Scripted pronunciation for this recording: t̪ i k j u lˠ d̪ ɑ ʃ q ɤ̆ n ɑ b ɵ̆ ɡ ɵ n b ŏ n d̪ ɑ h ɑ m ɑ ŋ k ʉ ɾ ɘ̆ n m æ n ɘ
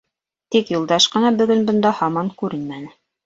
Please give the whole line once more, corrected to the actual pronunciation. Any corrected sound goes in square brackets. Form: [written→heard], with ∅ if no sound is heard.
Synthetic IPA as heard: t̪ i k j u lˠ d̪ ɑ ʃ q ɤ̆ n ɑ b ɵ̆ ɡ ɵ n b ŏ n d̪ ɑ h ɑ m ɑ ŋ k ʉ ɾ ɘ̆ n m æ n ɘ